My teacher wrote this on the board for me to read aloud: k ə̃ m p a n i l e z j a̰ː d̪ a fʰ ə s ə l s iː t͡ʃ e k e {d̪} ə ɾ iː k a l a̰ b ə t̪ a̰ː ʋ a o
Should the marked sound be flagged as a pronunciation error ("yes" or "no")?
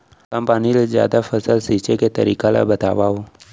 yes